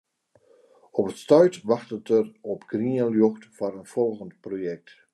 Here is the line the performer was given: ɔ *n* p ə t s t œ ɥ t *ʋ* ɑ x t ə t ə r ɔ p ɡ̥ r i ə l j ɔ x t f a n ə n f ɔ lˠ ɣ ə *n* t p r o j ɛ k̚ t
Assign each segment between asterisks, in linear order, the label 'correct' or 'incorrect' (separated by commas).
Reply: incorrect, correct, correct